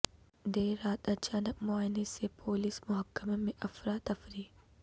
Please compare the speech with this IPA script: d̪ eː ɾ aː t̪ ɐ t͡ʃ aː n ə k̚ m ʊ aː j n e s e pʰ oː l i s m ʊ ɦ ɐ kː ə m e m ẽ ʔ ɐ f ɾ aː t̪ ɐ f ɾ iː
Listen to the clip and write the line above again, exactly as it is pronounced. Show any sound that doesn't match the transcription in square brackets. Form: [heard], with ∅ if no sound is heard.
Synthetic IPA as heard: d̪ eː ɾ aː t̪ ɐ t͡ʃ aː n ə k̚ m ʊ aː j n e s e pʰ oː l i s m ʊ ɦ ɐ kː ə m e m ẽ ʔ ɐ f ɾ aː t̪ ɐ f ɾ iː